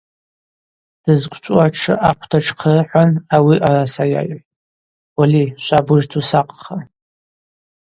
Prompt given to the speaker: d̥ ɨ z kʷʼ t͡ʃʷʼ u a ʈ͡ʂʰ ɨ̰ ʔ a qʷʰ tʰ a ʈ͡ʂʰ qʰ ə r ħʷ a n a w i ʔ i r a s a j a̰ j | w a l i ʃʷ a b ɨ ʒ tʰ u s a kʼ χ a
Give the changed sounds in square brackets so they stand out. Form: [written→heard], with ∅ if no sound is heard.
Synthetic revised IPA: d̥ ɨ z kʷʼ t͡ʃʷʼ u a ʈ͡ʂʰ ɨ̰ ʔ a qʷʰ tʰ a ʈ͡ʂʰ qʰ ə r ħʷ a n a w i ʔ [i→a] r a s a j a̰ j | w a l i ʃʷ a b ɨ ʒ tʰ u s a [kʼ→qʼ] χ a